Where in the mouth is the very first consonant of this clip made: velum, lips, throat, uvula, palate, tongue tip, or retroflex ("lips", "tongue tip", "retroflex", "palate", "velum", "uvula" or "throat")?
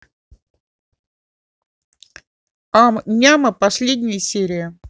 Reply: lips